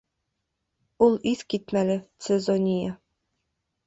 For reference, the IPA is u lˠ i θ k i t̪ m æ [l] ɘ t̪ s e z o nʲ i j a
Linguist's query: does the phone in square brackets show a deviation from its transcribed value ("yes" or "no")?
no